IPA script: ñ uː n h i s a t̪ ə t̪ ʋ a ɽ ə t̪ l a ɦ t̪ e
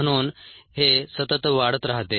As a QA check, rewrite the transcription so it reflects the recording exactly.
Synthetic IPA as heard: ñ uː n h e s ə t̪ ə t̪ ʋ a ɽ ə t̪ ɾ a ɦ t̪ e